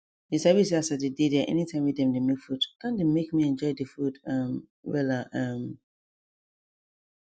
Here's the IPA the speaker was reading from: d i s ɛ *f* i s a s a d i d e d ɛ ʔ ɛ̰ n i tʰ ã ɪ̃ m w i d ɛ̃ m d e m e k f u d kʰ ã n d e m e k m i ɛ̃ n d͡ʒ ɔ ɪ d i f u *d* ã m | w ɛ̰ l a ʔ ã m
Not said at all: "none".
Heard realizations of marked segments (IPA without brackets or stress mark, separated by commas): v, d